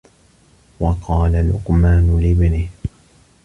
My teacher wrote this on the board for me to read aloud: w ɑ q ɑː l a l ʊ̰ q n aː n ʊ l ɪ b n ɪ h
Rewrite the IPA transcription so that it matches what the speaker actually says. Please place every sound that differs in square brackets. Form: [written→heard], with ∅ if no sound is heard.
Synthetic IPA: w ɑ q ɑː l a l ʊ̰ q [n→m] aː n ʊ l ɪ b n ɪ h